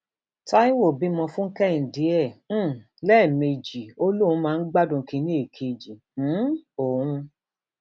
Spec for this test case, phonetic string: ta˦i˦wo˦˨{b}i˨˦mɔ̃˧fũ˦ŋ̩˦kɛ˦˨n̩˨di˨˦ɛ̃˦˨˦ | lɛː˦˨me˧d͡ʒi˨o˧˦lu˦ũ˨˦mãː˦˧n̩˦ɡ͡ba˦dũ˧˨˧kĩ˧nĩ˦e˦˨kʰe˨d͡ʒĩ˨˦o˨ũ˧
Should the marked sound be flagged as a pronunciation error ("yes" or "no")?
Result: no